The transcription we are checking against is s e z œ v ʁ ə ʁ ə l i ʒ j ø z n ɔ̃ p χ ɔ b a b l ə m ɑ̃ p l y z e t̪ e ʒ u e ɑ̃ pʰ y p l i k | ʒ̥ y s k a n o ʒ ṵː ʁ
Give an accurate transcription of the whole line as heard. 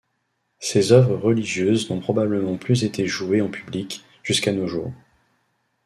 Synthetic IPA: s e z œ v ʁ ə ʁ ə l i ʒ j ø z n ɔ̃ p χ ɔ b a b l ə m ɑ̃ p l y z e t̪ e ʒ u e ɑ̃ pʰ y b l i k | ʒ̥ y s k a n o ʒ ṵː ʁ

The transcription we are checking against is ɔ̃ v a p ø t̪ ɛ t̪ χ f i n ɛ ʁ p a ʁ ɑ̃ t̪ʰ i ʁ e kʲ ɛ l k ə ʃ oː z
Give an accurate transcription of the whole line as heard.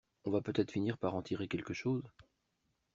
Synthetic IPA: ɔ̃ v a p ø t̪ ɛ t̪ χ f i n i ʁ p a ʁ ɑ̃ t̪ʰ i ʁ e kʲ ɛ l k ə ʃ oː z

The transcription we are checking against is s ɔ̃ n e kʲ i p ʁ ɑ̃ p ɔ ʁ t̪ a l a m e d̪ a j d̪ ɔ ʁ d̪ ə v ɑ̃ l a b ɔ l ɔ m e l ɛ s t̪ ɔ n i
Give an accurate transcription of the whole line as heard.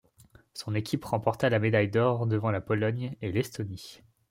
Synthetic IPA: s ɔ̃ n e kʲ i p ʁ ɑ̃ p ɔ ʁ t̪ a l a m e d̪ a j d̪ ɔ ʁ d̪ ə v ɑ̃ l a p ɔ l ɔ ɲ e l ɛ s t̪ ɔ n i

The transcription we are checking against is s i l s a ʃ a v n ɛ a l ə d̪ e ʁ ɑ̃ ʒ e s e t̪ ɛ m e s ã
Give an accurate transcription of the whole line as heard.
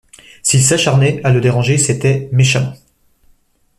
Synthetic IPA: s i l s a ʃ a ʁ n ɛ a l ə d̪ e ʁ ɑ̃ ʒ e s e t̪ ɛ m e ʃ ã

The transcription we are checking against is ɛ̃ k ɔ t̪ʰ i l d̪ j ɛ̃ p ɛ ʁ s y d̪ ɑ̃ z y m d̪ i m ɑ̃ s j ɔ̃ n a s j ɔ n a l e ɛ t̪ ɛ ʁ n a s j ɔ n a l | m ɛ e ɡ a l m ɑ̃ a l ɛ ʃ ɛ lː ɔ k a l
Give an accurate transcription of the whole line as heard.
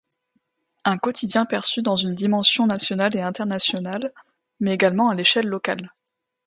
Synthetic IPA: ɛ̃ k ɔ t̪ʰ i d̪ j ɛ̃ p ɛ ʁ s y d̪ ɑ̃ z y n d̪ i m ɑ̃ s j ɔ̃ n a s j ɔ n a l e ɛ̃ t̪ ɛ ʁ n a s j ɔ n a l | m ɛ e ɡ a l m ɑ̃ a l e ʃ ɛ lː ɔ k a l

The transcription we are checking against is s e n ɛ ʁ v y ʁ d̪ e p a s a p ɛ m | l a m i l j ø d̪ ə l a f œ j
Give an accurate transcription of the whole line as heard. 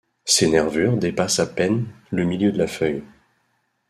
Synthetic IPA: s e n ɛ ʁ v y ʁ d̪ e p a s a p ɛ n | l ə m i l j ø d̪ ə l a f œ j

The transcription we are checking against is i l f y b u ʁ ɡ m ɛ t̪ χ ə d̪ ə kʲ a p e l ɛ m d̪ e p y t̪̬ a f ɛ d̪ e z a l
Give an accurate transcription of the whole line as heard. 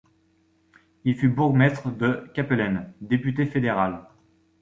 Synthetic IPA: i l f y b u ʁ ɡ m ɛ t̪ χ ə d̪ ə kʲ a p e l ɛ n d̪ e p y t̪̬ e f e d̪ e ʁ a l

